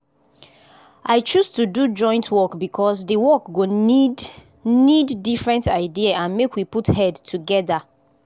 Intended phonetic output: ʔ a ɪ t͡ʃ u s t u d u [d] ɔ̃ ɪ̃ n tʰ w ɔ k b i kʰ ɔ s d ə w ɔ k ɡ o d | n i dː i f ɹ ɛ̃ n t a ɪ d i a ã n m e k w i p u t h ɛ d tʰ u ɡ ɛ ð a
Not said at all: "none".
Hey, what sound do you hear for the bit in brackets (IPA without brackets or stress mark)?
d͡ʒ